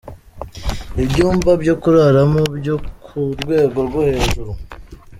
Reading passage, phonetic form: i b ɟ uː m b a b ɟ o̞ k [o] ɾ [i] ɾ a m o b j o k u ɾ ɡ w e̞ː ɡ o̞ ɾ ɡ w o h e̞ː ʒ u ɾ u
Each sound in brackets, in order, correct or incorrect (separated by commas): incorrect, incorrect